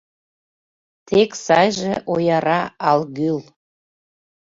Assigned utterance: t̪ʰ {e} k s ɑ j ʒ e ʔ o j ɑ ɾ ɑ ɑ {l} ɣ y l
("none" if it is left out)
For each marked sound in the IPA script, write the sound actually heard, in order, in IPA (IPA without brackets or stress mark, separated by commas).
e, l